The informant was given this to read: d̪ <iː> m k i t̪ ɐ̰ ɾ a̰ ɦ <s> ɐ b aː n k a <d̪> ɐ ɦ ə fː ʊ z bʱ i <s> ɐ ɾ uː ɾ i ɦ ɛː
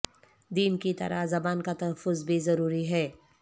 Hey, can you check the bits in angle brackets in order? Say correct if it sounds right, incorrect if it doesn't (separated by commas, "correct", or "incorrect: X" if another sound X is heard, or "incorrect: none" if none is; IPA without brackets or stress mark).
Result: correct, incorrect: z, incorrect: t̪, incorrect: z